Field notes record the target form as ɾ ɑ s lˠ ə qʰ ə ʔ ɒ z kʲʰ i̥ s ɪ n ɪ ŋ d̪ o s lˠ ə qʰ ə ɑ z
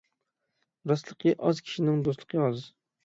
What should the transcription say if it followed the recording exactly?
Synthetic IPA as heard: ɾ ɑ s lˠ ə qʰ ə ʔ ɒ z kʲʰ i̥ ʃ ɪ n ɪ ŋ d̪ o s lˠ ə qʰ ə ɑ z